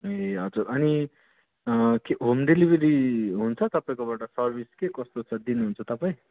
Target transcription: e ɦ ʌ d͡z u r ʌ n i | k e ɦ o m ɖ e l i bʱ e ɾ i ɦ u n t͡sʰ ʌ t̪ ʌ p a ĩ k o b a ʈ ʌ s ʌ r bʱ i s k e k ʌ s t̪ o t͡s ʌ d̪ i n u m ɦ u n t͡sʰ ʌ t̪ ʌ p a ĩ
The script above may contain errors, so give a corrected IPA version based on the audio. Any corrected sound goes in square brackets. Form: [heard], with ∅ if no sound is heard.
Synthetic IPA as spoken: e ɦ ʌ d͡z u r ʌ n i | k e ɦ o m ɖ e l i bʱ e ɾ i ɦ u n t͡sʰ ʌ t̪ ʌ p a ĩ k o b a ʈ ʌ s ʌ r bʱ i s k e k ʌ s t̪ o [t͡sʰ] ʌ d̪ i n u [∅] ɦ u n t͡sʰ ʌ t̪ ʌ p a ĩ

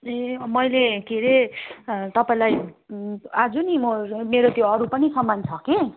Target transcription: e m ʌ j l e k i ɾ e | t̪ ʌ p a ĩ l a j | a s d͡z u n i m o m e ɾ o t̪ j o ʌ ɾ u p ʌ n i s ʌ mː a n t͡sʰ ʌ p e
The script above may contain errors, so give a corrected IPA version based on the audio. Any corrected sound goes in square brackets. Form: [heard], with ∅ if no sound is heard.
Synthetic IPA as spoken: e m ʌ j l e k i ɾ e | t̪ ʌ p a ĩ l a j | a [∅] d͡z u n i m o m e ɾ o t̪ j o ʌ ɾ u p ʌ n i s ʌ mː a n t͡sʰ ʌ [k] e

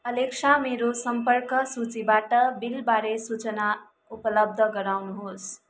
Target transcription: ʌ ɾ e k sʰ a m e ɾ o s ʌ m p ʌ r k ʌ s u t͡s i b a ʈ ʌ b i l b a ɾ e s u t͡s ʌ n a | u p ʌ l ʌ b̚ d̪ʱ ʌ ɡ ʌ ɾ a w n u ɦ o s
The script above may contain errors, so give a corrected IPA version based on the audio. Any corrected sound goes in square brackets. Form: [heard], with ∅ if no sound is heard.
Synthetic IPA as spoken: ʌ [l] e k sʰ a m e ɾ o s ʌ m p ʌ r k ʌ s u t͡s i b a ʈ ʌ b i l b a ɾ e s u t͡s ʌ n a | u p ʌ l ʌ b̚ d̪ʱ ʌ ɡ ʌ ɾ a w n u ɦ o s

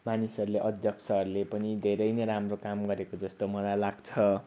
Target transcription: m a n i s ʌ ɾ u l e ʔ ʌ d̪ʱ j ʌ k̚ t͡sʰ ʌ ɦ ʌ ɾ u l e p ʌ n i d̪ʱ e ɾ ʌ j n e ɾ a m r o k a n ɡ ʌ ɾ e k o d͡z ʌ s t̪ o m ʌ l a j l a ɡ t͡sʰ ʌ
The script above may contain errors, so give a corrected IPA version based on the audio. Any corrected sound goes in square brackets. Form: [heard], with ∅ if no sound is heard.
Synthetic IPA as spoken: m a n i s ʌ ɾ u l e ʔ ʌ d̪ʱ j ʌ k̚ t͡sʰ ʌ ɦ ʌ ɾ u l e p ʌ n i d̪ʱ e ɾ ʌ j n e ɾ a m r o k a [m] ɡ ʌ ɾ e k o d͡z ʌ s t̪ o m ʌ l a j l a ɡ t͡sʰ ʌ

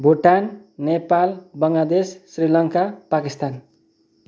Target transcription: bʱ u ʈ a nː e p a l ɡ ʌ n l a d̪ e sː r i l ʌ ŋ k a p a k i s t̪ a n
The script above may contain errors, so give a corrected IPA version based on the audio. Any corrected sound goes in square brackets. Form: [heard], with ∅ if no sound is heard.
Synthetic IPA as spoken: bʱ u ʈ a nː e p a l [b] ʌ [ŋ] l a d̪ e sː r i l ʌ ŋ k a p a k i s t̪ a n

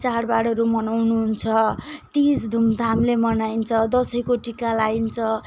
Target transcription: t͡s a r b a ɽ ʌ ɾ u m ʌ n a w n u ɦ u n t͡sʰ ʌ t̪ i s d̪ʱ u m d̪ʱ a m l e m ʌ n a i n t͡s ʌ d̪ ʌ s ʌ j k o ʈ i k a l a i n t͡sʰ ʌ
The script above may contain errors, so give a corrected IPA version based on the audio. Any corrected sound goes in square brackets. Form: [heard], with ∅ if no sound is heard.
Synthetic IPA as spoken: t͡s a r b a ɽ ʌ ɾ u m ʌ n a w n u ɦ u n t͡sʰ ʌ t̪ i s d̪ʱ u m d̪ʱ a m l e m ʌ n a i n [t͡sʰ] ʌ d̪ ʌ s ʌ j k o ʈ i k a l a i n t͡sʰ ʌ

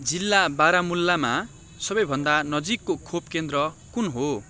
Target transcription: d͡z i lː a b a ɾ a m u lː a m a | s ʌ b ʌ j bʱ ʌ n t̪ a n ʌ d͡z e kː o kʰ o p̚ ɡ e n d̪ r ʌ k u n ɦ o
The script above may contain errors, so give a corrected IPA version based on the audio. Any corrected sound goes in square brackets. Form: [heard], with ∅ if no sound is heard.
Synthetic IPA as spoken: d͡z i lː a b a ɾ a m u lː a m a | s ʌ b ʌ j bʱ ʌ n [d̪] a n ʌ d͡z [i] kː o kʰ o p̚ [k] e n d̪ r ʌ k u n ɦ o

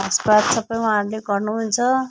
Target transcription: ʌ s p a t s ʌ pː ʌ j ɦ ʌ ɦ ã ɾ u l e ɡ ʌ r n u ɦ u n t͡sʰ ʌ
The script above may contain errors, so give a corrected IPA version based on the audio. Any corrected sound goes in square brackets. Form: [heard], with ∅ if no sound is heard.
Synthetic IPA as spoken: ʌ s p a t s ʌ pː ʌ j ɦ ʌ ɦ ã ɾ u l e ɡ ʌ r n u ɦ u n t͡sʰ ʌ

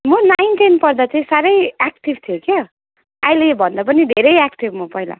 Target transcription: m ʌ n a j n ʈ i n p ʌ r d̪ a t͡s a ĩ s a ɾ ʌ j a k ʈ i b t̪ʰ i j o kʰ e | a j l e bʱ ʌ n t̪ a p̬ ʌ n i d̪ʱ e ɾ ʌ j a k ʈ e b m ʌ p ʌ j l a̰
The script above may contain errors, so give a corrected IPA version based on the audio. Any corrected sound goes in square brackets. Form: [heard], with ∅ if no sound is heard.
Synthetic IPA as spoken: m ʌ n a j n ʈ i n p ʌ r d̪ a t͡s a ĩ s a ɾ ʌ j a k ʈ i b t̪ʰ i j o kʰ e | a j l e bʱ ʌ n [d̪] a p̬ ʌ n i d̪ʱ e ɾ ʌ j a k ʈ [i] b m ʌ p ʌ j l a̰

